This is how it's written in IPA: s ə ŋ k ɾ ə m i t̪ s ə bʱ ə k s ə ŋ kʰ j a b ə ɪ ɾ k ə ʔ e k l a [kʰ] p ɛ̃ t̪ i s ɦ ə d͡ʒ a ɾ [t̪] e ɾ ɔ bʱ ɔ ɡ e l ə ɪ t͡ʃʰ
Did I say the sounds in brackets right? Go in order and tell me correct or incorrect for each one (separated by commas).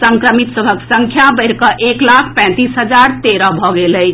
correct, correct